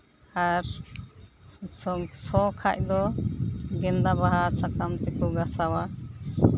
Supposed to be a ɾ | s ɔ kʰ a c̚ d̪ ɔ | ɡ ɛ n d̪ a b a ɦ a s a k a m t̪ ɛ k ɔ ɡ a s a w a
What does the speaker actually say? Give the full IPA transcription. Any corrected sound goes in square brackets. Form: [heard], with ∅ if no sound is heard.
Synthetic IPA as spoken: a ɾ | s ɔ kʰ a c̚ d̪ ɔ | ɡ ɛ n d̪ a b a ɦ a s a k a m t̪ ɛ k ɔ ɡ a s a w a